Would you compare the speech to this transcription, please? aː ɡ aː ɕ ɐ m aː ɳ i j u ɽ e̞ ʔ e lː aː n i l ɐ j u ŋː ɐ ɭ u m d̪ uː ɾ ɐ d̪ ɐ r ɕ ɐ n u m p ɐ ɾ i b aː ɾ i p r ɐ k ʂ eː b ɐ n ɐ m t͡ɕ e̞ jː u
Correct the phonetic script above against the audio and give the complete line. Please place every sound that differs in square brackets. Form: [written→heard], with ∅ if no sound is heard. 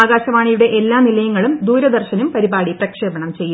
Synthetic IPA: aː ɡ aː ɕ ɐ m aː ɳ i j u ɽ e̞ ʔ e lː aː n i l ɐ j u ŋː ɐ ɭ u m d̪ uː ɾ ɐ d̪ ɐ r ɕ ɐ n u m p ɐ ɾ i b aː [ɾ→ɽ] i p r ɐ k ʂ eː b ɐ [n→ɳ] ɐ m t͡ɕ e̞ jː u